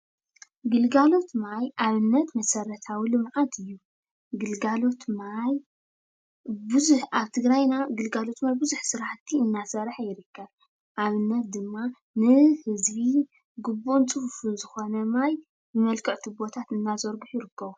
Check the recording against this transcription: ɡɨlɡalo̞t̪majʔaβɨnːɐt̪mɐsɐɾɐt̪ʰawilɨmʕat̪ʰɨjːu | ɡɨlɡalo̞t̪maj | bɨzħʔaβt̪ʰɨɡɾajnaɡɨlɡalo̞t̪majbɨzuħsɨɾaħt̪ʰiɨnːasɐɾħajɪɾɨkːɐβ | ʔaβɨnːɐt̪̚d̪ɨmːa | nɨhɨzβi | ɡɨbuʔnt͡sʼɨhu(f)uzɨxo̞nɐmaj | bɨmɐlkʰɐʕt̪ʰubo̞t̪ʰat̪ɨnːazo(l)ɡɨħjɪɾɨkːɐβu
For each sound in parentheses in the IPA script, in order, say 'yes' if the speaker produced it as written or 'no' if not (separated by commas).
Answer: yes, no